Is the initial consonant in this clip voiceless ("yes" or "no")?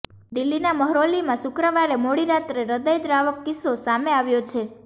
no